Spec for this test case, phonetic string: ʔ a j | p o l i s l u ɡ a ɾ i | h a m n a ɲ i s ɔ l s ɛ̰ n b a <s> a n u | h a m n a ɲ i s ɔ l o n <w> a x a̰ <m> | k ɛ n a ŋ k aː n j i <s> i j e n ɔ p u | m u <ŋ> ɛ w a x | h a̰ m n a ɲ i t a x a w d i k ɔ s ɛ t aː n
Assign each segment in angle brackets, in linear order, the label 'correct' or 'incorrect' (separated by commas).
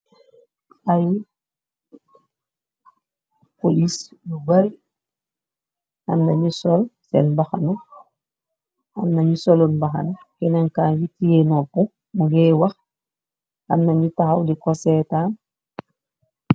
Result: incorrect, incorrect, incorrect, incorrect, incorrect